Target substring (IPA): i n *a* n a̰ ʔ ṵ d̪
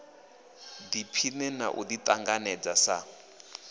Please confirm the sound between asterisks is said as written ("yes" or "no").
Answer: no